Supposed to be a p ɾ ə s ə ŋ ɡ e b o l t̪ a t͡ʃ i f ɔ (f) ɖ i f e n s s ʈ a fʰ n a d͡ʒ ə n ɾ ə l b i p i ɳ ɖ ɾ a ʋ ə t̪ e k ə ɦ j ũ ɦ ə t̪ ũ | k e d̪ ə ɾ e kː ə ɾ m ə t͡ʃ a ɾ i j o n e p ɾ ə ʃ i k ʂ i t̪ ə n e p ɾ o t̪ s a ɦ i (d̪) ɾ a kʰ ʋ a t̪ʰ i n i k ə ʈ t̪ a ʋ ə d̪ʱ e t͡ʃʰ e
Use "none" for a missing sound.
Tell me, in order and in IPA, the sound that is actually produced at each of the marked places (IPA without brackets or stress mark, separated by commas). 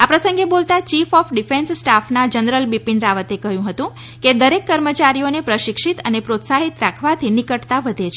f, t̪